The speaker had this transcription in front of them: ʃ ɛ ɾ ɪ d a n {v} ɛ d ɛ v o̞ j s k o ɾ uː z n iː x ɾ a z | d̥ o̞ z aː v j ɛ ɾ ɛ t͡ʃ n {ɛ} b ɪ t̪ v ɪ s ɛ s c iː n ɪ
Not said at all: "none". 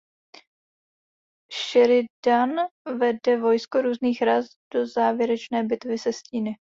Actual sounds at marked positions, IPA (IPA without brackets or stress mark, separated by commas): v, ɛː